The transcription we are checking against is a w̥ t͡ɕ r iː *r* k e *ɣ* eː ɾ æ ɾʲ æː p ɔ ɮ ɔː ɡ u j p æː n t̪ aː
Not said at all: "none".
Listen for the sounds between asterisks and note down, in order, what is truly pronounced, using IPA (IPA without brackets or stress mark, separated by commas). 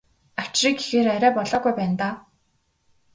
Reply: none, x